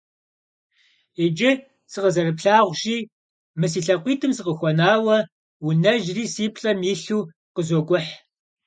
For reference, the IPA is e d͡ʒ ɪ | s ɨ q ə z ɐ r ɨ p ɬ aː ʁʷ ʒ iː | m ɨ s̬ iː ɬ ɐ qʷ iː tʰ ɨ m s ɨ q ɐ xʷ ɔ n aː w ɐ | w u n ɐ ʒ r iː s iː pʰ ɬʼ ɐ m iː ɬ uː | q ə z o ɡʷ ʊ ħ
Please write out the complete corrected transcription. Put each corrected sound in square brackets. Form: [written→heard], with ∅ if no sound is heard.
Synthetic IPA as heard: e d͡ʒ ɪ | s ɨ q ə z ɐ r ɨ p ɬ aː ʁʷ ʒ iː | m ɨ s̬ iː ɬ ɐ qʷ iː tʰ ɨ m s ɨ q [ɐ→ə] xʷ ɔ n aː w ɐ | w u n ɐ ʒ r iː s iː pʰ ɬʼ ɐ m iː ɬ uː | q ə z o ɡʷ ʊ ħ